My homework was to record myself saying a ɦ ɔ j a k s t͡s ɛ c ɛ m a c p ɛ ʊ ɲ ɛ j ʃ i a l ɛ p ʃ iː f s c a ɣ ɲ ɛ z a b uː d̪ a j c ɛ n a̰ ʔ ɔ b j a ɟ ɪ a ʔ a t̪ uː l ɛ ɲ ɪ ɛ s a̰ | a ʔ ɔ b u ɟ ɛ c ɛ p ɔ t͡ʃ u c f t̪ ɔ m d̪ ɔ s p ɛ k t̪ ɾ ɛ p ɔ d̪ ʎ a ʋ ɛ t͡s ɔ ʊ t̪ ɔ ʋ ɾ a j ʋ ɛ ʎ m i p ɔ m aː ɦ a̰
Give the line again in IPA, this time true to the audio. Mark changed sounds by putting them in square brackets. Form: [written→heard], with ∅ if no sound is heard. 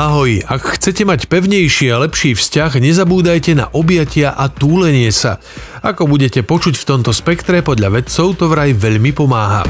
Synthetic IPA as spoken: a ɦ ɔ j a k [s→x] t͡s ɛ c ɛ m a c p ɛ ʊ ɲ ɛ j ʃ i a l ɛ p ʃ iː f s c a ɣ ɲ ɛ z a b uː d̪ a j c ɛ n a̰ ʔ ɔ b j a [ɟ→c] ɪ a ʔ a t̪ uː l ɛ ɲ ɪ ɛ s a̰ | a [ʔ→k] ɔ b u ɟ ɛ c ɛ p ɔ t͡ʃ u c f t̪ ɔ m [d̪→t̪] ɔ s p ɛ k t̪ ɾ ɛ p ɔ d̪ ʎ a ʋ ɛ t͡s ɔ ʊ t̪ ɔ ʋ ɾ a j ʋ ɛ ʎ m i p ɔ m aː ɦ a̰